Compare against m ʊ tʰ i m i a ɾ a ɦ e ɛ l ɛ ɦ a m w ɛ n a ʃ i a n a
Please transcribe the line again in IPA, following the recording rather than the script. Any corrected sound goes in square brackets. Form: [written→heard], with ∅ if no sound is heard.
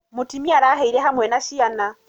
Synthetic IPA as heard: m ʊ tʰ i m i a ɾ a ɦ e [ɛ→i] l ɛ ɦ a m w ɛ n a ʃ i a n a